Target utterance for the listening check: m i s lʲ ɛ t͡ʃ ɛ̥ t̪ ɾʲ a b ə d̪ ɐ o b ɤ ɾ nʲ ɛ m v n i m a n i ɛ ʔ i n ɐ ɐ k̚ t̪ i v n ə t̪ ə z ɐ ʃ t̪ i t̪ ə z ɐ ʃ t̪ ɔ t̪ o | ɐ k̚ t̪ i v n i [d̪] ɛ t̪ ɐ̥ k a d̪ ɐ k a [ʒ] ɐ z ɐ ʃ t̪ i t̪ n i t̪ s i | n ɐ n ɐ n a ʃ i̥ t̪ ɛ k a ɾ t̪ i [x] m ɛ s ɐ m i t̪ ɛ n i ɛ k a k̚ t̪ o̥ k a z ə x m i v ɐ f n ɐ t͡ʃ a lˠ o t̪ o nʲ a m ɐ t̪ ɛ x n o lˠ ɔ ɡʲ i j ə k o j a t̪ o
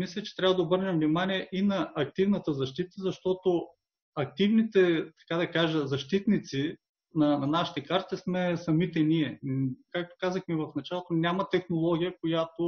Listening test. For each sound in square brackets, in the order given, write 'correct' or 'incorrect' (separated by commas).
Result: incorrect, correct, incorrect